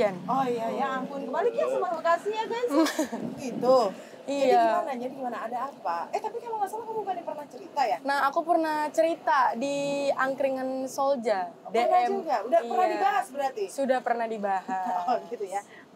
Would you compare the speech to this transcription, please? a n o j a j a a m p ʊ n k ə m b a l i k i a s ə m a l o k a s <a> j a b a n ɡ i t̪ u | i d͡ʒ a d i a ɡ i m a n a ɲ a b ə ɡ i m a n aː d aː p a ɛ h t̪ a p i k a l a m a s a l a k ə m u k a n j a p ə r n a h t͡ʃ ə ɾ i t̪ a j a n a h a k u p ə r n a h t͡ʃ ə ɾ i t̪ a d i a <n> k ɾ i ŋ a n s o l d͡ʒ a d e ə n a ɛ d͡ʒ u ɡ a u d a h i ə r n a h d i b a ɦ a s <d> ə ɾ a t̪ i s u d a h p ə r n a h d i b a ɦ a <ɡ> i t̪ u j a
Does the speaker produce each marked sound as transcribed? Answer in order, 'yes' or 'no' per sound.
no, no, no, yes

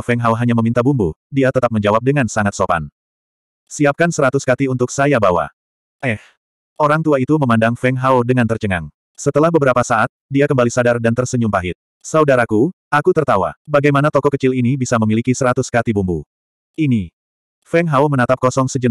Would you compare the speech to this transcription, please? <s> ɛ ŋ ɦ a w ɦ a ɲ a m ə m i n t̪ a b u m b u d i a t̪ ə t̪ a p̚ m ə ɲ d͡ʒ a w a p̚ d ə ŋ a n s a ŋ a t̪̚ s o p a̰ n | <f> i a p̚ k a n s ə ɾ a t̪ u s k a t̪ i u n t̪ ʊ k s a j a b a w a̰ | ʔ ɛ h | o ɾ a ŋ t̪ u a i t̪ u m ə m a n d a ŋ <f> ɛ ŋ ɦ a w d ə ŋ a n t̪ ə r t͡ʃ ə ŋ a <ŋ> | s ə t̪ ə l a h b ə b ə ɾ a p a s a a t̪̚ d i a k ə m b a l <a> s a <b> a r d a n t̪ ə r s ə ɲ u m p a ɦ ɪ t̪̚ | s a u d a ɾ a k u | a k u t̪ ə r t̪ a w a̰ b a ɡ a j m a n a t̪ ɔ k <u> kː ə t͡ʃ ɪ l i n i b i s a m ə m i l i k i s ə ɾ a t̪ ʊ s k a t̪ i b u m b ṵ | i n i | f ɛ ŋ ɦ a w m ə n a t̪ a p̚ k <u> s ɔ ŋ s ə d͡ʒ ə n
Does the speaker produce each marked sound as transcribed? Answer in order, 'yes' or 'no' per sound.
no, no, yes, yes, no, no, no, no

